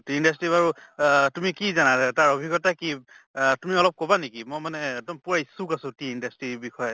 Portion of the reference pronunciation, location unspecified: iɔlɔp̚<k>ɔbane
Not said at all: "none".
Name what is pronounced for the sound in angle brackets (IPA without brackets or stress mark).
k